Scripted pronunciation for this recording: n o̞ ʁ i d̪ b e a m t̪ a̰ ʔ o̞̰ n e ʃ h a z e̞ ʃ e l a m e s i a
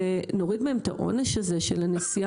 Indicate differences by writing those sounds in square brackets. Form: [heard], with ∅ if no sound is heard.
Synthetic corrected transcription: n o̞ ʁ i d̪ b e [e] m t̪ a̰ ʔ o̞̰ n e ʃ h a z e̞ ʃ e l a [n] e s i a